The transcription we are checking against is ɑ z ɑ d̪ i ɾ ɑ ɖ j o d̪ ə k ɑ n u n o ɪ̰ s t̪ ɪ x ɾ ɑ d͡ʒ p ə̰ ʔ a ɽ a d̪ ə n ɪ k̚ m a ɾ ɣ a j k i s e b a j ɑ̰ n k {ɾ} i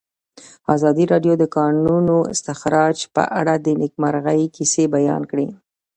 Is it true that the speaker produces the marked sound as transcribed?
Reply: no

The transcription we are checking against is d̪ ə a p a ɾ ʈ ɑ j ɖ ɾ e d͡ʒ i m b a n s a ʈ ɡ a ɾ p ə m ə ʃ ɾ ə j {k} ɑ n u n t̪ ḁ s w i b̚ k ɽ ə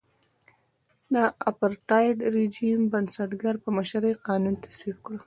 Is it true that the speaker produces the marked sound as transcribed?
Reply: no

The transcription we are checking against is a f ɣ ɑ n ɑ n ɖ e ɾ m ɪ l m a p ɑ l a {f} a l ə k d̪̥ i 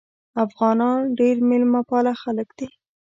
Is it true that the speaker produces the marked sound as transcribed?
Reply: no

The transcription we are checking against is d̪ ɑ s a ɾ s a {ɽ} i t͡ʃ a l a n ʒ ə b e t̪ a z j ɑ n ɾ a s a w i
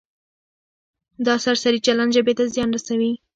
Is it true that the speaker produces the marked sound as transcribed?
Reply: no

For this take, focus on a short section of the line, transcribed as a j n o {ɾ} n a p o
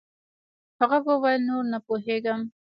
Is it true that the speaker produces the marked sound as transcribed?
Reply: yes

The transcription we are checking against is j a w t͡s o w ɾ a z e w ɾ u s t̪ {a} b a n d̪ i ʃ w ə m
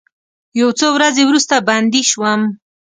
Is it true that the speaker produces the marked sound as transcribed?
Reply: yes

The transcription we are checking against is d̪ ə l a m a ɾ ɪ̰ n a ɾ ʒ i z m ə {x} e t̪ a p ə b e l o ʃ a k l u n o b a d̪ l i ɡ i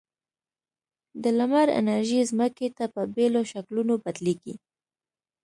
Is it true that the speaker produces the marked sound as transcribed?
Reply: no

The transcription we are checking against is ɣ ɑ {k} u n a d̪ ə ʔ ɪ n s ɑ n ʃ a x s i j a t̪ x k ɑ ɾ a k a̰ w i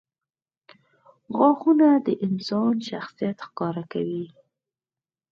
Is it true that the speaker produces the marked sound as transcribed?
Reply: no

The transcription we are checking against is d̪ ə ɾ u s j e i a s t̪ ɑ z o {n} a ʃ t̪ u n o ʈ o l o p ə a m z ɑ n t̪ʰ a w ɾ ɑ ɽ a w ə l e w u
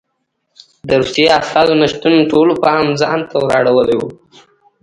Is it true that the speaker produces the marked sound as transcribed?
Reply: yes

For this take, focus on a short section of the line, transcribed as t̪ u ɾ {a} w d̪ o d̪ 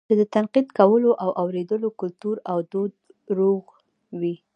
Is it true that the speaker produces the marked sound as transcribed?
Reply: yes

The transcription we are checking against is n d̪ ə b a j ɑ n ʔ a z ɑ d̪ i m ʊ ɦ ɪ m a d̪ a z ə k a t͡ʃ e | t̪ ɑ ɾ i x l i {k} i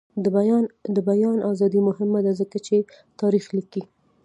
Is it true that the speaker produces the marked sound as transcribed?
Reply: yes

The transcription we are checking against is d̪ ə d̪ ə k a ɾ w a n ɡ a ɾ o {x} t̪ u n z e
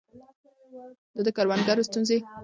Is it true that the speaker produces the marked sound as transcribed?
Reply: no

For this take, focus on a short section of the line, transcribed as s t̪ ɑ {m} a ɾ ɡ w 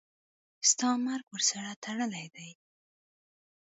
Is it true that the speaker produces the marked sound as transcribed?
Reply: yes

